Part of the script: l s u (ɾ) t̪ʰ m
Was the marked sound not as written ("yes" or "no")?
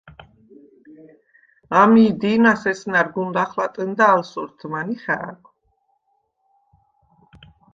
no